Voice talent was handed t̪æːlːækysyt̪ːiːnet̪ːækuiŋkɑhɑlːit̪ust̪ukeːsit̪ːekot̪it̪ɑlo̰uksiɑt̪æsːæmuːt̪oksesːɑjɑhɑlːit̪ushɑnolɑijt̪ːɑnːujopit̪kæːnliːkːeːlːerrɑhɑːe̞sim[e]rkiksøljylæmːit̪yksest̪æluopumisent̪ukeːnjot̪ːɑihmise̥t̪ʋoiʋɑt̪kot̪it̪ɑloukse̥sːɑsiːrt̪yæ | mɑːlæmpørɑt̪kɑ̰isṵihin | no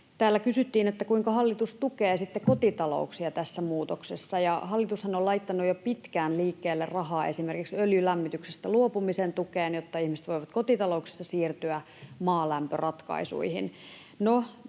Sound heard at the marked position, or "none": e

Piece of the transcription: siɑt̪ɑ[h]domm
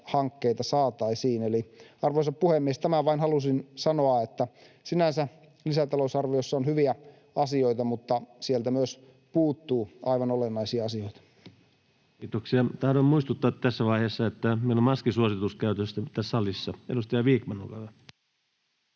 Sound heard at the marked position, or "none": h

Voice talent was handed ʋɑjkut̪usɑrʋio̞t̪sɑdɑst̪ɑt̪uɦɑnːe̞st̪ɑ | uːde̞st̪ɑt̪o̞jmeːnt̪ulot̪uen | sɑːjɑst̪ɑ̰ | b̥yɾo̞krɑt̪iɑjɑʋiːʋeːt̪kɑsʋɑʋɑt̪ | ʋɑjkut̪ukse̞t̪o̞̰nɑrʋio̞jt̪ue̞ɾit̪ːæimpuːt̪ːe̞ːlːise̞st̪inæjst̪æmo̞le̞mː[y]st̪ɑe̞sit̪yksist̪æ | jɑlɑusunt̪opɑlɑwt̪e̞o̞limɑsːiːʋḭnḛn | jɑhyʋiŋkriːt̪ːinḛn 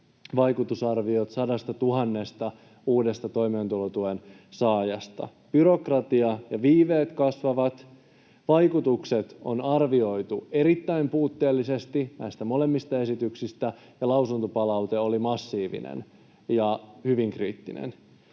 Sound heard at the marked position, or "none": i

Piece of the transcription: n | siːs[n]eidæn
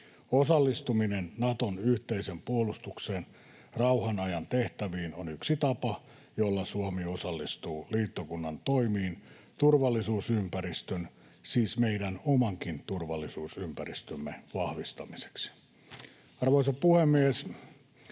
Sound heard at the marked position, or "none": m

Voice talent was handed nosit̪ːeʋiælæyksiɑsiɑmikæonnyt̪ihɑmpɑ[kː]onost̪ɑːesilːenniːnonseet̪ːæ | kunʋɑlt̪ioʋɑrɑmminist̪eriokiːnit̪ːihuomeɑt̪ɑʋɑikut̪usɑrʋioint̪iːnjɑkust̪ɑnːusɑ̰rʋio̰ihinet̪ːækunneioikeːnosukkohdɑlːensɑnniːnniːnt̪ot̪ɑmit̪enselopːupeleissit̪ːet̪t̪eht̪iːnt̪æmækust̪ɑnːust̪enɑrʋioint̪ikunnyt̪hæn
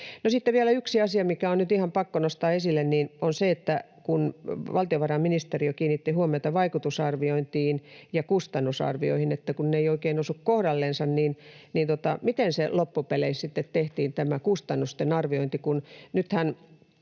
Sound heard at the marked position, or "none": kː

